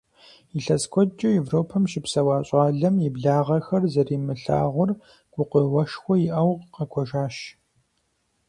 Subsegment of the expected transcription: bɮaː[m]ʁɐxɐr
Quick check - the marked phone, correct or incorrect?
incorrect